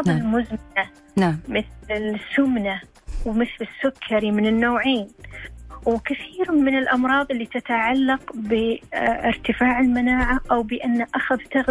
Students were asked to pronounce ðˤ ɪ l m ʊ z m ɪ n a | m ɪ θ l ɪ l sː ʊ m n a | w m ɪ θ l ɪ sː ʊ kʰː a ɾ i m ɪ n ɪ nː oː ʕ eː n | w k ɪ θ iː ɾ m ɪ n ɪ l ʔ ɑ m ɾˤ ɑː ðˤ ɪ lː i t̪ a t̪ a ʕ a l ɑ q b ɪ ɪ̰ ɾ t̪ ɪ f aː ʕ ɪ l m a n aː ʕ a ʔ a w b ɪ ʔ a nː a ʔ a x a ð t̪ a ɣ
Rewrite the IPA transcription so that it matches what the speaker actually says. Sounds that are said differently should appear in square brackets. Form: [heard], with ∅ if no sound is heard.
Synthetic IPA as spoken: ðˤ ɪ l m ʊ z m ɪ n a | m ɪ θ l ɪ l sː ʊ m n a | w m ɪ θ l ɪ sː ʊ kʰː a ɾ i m ɪ n ɪ nː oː ʕ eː n | w k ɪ θ iː ɾ m ɪ n ɪ l ʔ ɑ m ɾˤ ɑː ðˤ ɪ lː i t̪ a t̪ a ʕ a [lː] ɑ q b ɪ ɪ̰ ɾ t̪ ɪ f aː ʕ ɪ l m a n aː ʕ a ʔ a w b ɪ ʔ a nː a ʔ a x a ð t̪ a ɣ